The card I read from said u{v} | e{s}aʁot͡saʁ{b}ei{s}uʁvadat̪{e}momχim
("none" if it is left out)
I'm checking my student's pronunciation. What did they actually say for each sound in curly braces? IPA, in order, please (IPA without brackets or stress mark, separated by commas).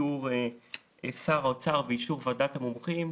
ʁ, s, v, ʃ, a